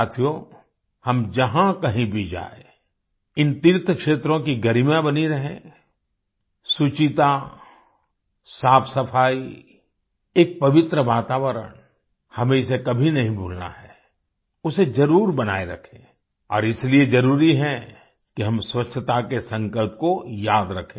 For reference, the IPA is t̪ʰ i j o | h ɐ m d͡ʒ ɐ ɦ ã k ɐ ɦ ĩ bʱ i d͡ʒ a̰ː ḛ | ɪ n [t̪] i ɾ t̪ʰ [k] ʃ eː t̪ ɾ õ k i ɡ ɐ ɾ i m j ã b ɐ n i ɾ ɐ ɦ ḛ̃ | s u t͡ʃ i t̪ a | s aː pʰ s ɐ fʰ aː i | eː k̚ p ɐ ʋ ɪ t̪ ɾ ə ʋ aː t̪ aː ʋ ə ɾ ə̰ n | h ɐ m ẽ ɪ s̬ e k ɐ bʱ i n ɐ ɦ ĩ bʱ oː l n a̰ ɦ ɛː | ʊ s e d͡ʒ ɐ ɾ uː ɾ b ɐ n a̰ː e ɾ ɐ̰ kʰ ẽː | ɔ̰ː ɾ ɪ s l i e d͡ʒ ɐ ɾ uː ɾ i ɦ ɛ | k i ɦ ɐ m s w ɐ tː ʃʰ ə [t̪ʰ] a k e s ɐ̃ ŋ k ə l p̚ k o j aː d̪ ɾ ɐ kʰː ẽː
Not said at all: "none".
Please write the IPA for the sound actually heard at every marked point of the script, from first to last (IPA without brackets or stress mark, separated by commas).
t̪, k, t̪